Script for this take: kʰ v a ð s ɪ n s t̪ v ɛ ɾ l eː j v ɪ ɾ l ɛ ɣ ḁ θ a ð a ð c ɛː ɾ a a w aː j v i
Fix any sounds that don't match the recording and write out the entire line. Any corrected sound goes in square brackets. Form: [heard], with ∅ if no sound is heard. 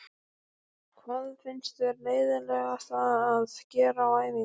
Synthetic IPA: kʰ v a ð [f] ɪ n s t̪ v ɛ ɾ l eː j [ð] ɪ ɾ l ɛ ɣ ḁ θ a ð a ð c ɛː ɾ a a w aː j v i